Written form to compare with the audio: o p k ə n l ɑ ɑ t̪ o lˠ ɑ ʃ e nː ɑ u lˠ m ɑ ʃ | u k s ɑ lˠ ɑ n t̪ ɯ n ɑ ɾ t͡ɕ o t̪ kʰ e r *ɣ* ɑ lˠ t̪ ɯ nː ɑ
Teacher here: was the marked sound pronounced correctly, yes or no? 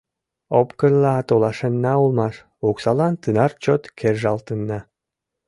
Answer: no